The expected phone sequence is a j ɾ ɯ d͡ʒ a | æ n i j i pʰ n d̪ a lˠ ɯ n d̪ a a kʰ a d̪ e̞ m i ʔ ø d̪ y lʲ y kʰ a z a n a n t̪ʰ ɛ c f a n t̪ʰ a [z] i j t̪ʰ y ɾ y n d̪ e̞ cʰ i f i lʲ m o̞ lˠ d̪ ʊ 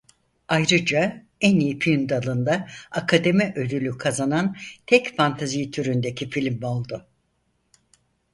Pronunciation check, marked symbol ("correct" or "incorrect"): correct